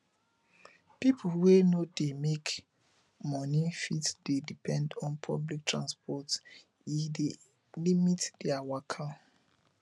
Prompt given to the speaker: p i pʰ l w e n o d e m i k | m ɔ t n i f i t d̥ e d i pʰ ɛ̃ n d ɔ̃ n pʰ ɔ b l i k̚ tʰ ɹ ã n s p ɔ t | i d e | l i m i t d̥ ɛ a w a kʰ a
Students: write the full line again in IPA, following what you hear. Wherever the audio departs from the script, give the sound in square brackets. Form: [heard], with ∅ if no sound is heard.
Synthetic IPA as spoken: p i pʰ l w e n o d e m [e] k | m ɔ [∅] n i f i t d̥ e d i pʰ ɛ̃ n d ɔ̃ n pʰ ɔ b l i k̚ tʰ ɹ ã n s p ɔ t | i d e | l i m i t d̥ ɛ a w a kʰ a